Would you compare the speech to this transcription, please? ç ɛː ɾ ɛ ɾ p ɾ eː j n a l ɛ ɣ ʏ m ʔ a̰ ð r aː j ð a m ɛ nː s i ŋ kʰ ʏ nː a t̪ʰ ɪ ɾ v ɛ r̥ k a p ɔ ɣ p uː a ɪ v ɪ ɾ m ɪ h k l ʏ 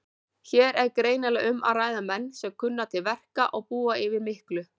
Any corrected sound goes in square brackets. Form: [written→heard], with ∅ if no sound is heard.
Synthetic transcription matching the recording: ç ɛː ɾ ɛ ɾ [p→k] ɾ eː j n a l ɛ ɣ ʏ m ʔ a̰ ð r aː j ð a m ɛ nː s [i→ɛ] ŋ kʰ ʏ nː a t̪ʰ ɪ [ɾ→l] v ɛ r̥ k a [p→ʔ] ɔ ɣ p uː a ɪ v ɪ ɾ m ɪ h k l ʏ